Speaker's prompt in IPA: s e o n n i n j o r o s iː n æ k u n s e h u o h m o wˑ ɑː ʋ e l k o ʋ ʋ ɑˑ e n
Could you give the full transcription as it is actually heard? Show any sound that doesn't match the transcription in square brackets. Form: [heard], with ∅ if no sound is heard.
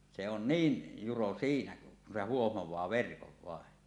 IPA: s e o n n [iː] n j [u] r o s iː n æ k u n s e h u o h m o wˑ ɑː ʋ e [r] k o ʋ ʋ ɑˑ e n